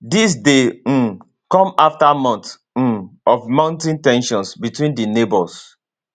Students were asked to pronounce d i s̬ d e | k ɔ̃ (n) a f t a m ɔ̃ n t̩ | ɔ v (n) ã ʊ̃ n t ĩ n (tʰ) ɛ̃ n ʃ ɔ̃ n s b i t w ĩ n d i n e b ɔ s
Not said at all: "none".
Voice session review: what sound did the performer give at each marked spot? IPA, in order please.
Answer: m, m, t

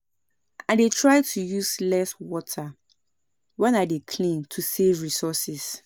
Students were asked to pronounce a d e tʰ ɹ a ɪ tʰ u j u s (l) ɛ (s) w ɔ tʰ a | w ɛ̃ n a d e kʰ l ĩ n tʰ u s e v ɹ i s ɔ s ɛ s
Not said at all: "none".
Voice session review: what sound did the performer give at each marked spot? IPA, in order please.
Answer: l, s

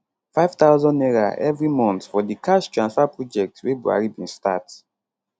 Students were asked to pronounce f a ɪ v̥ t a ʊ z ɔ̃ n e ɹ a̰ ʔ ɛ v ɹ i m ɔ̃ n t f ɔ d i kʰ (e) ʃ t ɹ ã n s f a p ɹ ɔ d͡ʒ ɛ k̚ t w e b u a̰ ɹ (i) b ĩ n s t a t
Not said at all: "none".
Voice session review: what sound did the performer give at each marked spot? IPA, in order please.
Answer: a, i

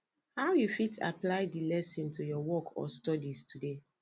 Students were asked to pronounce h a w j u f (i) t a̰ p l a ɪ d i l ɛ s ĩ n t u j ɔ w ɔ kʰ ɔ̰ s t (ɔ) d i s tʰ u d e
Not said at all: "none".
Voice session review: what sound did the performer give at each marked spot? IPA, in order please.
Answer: i, ɔ

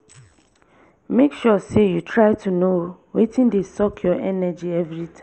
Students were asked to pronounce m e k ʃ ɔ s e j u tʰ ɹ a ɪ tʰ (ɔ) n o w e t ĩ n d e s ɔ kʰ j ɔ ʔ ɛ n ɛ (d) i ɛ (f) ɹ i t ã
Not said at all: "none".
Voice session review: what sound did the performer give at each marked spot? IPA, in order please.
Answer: u, d͡ʒ, v

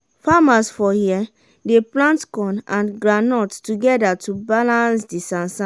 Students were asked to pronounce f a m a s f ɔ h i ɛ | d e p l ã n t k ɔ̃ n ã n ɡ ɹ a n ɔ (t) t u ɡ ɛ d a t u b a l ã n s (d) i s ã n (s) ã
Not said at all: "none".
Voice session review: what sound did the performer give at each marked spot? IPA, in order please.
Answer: t, d, s

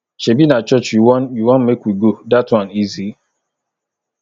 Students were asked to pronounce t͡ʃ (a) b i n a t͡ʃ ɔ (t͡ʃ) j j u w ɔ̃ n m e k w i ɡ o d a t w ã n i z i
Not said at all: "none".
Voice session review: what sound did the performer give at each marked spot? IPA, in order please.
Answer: e, t͡ʃ

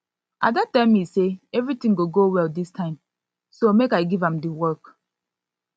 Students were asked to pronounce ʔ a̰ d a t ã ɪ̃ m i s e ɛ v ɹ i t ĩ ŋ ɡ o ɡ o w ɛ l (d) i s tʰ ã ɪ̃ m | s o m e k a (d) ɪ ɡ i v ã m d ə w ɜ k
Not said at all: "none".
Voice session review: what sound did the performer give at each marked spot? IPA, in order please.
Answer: d, none

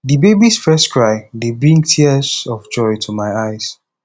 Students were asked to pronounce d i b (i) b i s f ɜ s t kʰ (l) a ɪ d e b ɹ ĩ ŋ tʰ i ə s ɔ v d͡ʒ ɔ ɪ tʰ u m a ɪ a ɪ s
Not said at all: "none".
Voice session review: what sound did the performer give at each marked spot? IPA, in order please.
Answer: e, ɹ

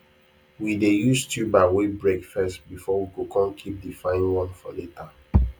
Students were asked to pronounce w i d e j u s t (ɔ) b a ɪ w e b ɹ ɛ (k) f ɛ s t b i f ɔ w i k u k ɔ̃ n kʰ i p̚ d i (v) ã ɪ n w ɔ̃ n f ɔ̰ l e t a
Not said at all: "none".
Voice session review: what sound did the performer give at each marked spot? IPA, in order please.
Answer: u, k, f

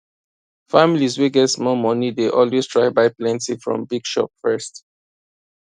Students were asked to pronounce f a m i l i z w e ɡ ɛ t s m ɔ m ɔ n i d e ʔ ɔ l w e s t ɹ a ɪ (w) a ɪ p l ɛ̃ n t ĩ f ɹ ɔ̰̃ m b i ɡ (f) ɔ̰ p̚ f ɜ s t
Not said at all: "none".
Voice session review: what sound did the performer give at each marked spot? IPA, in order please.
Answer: b, ʃ

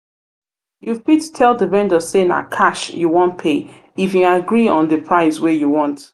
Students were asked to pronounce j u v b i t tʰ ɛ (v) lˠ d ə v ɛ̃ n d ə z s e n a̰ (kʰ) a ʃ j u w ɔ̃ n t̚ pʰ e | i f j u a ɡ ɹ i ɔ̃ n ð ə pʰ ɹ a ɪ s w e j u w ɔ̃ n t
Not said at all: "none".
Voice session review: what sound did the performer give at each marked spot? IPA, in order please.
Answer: none, kʰ

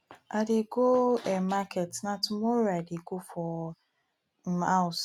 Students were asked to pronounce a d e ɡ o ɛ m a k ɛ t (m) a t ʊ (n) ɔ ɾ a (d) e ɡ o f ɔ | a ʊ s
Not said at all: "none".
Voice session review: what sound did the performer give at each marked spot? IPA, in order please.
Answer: n, m, d

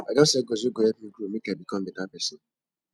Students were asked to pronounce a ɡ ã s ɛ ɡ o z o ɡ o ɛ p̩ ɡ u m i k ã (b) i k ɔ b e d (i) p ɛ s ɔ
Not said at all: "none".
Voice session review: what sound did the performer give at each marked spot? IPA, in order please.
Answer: b, a

